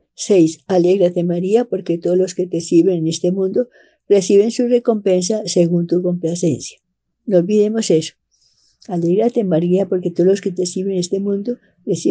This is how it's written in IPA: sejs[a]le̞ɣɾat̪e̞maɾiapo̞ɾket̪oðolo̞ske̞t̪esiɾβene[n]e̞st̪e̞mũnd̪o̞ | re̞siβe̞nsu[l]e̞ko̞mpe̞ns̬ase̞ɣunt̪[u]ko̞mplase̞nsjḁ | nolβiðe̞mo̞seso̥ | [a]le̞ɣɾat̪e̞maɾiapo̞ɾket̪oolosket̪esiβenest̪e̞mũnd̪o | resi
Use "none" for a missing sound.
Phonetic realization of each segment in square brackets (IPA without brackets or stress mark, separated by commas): a, n, r, u, a